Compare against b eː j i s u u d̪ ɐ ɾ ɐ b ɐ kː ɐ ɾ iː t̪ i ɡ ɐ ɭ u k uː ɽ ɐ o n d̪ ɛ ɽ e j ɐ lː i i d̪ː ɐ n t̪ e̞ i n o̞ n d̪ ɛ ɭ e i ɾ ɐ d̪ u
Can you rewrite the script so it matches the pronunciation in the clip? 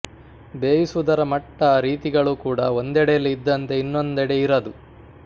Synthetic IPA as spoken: b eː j i s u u d̪ ɐ ɾ ɐ m ɐ ʈː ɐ ɾ iː t̪ i ɡ ɐ ɭ u k uː ɽ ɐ o n d̪ ɛ ɽ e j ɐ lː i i d̪ː ɐ n t̪ e̞ i nː o̞ n d̪ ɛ ɽ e i ɾ ɐ d̪ u

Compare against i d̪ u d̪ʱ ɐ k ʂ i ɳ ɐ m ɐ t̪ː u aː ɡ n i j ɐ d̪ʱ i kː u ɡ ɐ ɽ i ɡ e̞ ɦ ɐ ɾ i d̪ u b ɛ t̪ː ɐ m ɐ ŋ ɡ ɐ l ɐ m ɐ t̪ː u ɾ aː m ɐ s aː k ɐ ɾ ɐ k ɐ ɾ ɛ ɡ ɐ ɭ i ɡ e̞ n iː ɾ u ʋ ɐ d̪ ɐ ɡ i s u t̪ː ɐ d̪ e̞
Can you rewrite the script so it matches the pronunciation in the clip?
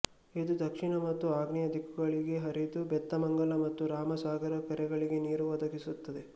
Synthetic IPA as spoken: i d̪ u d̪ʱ ɐ k ʂ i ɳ ɐ m ɐ t̪ː u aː ɡ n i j ɐ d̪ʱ i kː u ɡ ɐ ɭ i ɡ e̞ ɦ ɐ ɾ i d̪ u b ɛ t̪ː ɐ m ɐ ŋ ɡ ɐ l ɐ m ɐ t̪ː u ɾ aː m ɐ s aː ɡ ɐ ɾ ɐ k ɐ ɾ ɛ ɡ ɐ ɭ i ɡ e̞ n iː ɾ u ʋ ɐ d̪ ɐ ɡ i s u t̪ː ɐ d̪ e̞

